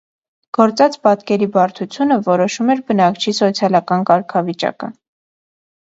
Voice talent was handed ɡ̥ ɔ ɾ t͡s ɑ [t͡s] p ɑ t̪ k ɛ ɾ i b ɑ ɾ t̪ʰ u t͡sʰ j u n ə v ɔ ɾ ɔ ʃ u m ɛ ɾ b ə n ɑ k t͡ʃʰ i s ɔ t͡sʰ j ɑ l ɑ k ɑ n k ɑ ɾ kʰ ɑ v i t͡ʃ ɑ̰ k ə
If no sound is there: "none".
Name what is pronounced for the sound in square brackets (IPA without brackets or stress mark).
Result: t͡s